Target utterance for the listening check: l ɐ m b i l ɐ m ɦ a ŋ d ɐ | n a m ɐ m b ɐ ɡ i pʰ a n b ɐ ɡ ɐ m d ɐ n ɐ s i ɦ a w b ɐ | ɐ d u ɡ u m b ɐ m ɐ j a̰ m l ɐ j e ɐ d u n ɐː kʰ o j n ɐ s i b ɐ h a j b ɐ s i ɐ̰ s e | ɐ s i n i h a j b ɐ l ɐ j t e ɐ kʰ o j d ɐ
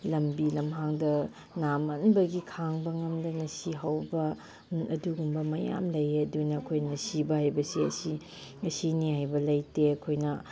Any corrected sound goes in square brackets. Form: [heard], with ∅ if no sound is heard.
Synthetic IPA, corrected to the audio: l ɐ m b i l ɐ m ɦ a ŋ d ɐ | n a m ɐ [n] b ɐ ɡ i [kʰ] a [ŋ] b ɐ [ŋ] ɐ m d ɐ n ɐ s i ɦ a w b ɐ | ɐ d u ɡ u m b ɐ m ɐ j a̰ m l ɐ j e ɐ d u n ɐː kʰ o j n ɐ s i b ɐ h a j b ɐ s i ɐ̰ s [i] | ɐ s i n i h a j b ɐ l ɐ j t e ɐ kʰ o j [n] ɐ

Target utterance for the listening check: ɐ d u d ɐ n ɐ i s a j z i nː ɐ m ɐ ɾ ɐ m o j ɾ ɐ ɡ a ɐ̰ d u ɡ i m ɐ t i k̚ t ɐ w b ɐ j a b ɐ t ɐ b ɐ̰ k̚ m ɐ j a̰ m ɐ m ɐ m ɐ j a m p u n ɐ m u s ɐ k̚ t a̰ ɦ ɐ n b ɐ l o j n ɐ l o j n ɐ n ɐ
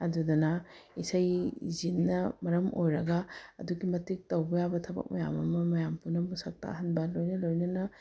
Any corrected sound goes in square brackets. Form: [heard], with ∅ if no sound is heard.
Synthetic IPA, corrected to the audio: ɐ d u d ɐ n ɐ i s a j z i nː ɐ m ɐ ɾ ɐ m o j ɾ ɐ ɡ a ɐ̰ d u ɡ i m ɐ t i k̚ t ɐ w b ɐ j a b ɐ [tʰ] ɐ b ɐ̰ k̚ m ɐ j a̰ m ɐ m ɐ m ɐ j a m p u n ɐ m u s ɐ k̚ t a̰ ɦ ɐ n b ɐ l o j n ɐ l o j n ɐ n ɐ

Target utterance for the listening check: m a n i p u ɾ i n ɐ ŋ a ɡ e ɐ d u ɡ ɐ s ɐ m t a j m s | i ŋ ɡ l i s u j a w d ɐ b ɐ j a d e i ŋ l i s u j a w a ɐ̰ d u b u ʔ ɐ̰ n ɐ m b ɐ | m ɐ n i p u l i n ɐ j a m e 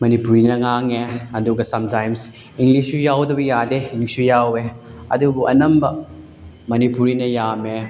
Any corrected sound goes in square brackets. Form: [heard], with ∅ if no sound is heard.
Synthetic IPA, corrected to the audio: m [ɐ] n i p u ɾ i n ɐ ŋ a [ŋ] e ɐ d u ɡ ɐ s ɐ m t a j m s | i ŋ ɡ l i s u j a w d ɐ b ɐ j a d e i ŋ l i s u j a w [e] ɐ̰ d u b u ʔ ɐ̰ n ɐ m b ɐ | m ɐ n i p u [ɾ] i n ɐ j a m e

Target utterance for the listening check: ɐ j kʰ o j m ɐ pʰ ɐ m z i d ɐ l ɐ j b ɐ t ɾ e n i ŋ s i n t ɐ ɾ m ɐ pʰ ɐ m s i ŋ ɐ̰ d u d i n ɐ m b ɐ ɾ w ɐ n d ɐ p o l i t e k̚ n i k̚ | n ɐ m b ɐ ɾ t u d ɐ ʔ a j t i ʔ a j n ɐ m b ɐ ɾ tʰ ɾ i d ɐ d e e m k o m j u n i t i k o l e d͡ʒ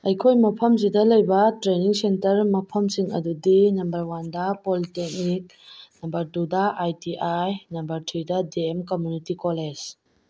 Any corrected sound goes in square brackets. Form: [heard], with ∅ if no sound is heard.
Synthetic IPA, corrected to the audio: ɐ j kʰ o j m ɐ pʰ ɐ m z i d ɐ l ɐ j b ɐ t ɾ e n i ŋ s [e] n t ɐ ɾ m ɐ pʰ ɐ m s i ŋ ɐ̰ d u d i n ɐ m b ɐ ɾ w [a] n d ɐ p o l i t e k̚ n i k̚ | n ɐ m b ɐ ɾ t u d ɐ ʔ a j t i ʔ a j n ɐ m b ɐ ɾ tʰ ɾ i d ɐ d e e m k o m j u n i t i k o l e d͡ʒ

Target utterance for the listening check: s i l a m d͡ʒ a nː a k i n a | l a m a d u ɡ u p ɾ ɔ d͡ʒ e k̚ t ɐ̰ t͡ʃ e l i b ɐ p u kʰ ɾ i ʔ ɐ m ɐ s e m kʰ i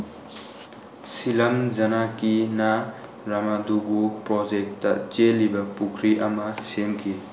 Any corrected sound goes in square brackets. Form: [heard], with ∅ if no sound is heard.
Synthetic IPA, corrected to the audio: s i l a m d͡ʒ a [n] a k i n a | [ɾ] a m a d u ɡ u p ɾ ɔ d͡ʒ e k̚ t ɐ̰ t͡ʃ e l i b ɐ p u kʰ ɾ i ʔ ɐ m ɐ s e m kʰ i

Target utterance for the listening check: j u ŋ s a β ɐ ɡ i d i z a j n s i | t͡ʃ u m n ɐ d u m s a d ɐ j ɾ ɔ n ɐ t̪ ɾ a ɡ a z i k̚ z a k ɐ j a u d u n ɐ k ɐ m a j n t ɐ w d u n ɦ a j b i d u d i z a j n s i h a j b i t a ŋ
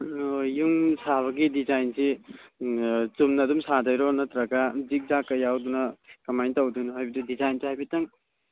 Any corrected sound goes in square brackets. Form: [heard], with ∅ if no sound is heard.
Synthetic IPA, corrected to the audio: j u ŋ s a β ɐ ɡ i d i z a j n s i | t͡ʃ u m n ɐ d u m s a d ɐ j ɾ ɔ n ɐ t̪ ɾ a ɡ a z i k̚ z a k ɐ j a [w] d u n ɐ k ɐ m a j n t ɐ w d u n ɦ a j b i d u d i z a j n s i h a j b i t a ŋ

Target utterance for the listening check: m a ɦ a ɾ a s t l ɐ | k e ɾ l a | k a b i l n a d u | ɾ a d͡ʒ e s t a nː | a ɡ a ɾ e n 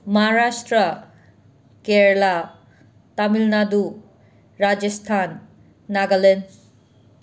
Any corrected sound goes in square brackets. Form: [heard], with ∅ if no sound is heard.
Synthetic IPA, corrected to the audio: m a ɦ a ɾ a s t [ɾ] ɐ | k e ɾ l a | [t] a [m] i l n a d u | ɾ a d͡ʒ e s [tʰ] a nː | a ɡ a [l] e n

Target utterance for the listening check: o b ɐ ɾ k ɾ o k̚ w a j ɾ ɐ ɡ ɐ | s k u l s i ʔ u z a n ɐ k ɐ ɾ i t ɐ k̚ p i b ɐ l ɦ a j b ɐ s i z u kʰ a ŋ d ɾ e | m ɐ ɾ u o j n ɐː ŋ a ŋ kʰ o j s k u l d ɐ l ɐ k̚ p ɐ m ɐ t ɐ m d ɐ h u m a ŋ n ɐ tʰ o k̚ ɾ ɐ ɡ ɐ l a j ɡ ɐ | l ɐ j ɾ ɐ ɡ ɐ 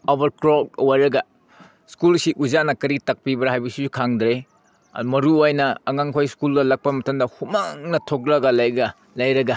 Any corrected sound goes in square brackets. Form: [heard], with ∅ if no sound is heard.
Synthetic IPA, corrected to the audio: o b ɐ ɾ k ɾ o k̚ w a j ɾ ɐ ɡ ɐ | s k u l s i ʔ u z a n ɐ k ɐ ɾ i t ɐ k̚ p i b ɐ [ɾ] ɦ a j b ɐ s i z u kʰ a ŋ d ɾ e | m ɐ ɾ u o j n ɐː ŋ a ŋ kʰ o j s k u l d ɐ l ɐ k̚ p ɐ m ɐ t ɐ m d ɐ h u m a ŋ n ɐ tʰ o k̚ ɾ ɐ ɡ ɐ l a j ɡ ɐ | l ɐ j ɾ ɐ ɡ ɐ

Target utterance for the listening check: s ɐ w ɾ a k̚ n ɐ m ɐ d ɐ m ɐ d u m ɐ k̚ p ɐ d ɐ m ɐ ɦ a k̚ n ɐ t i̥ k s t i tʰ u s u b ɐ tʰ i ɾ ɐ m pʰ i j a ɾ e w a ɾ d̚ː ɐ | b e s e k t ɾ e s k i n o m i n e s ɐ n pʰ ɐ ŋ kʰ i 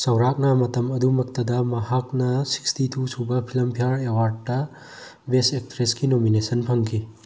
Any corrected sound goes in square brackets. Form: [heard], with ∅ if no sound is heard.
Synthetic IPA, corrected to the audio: s ɐ w ɾ a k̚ n ɐ m ɐ [t] ɐ m ɐ d u m ɐ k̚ [t] ɐ d ɐ m ɐ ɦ a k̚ n ɐ [s] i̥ k s t i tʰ u s u b ɐ [pʰ] i [l] ɐ m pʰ i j a ɾ e w a ɾ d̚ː ɐ | b e s e k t ɾ e s k i n o m i n e s ɐ n pʰ ɐ ŋ kʰ i

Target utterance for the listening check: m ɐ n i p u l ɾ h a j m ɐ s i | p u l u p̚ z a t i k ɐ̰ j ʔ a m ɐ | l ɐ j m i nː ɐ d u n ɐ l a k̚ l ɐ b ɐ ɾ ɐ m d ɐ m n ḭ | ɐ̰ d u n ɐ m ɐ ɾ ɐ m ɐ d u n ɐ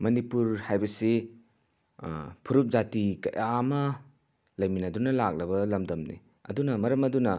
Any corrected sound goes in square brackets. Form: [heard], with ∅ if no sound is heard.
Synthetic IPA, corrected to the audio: m ɐ n i p u [∅] ɾ h a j [b] ɐ s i | [pʰ] u [ɾ] u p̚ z a t i k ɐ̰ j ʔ a m ɐ | l ɐ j m i [n] ɐ d u n ɐ l a k̚ l ɐ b ɐ [l] ɐ m d ɐ m n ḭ | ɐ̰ d u n ɐ m ɐ ɾ ɐ m ɐ d u n ɐ

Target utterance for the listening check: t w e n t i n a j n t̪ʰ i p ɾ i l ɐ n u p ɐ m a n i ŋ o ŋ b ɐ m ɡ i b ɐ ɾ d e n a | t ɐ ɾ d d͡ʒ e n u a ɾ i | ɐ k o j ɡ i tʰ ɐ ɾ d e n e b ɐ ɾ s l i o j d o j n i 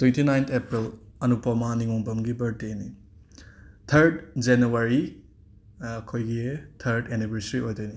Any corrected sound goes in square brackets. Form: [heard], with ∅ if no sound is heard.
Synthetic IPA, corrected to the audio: t w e n t i n a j n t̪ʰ [e] p ɾ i l ɐ n u p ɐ m a n i ŋ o ŋ b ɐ m ɡ i b ɐ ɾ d e n [i] | [tʰ] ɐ ɾ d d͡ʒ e n u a ɾ i | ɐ [kʰ] o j ɡ i tʰ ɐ ɾ d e n [i] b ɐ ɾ s [ɾ] i o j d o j n i

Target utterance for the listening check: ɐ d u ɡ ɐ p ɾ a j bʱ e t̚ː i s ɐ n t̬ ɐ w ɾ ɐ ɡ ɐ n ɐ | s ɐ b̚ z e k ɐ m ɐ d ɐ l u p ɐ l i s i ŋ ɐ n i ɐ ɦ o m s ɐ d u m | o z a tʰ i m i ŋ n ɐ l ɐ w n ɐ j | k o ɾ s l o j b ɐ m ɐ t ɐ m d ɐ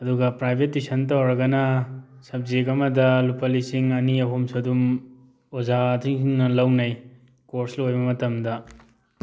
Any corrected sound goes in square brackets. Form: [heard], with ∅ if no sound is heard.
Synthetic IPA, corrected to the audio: ɐ d u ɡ ɐ p ɾ a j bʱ e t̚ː i s ɐ n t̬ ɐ w ɾ ɐ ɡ ɐ n ɐ | s ɐ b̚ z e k ɐ m ɐ d ɐ l u p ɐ l i s i ŋ ɐ n i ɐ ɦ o m s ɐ d u m | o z a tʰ i [ŋ] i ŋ n ɐ l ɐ w n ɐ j | k o ɾ s l o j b ɐ m ɐ t ɐ m d ɐ

